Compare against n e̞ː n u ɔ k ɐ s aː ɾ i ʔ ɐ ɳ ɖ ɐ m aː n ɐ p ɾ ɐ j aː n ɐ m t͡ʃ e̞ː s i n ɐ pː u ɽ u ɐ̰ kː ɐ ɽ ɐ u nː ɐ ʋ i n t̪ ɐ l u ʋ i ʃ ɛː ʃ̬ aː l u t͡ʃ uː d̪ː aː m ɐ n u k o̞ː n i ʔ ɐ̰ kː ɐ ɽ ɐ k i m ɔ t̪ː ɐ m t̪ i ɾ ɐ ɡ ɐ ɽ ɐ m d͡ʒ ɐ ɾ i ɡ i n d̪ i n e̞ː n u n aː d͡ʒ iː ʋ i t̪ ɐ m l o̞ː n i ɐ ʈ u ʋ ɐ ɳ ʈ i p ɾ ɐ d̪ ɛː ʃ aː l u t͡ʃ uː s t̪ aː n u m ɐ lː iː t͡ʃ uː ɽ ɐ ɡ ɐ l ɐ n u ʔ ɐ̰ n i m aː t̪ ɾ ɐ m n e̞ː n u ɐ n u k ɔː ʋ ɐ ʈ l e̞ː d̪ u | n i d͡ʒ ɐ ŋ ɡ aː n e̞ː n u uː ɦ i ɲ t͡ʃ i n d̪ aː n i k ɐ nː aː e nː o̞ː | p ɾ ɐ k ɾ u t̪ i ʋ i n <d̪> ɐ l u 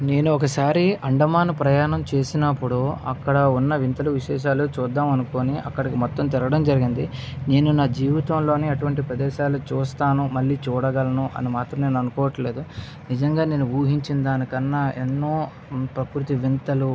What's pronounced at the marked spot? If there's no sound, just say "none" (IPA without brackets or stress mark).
t̪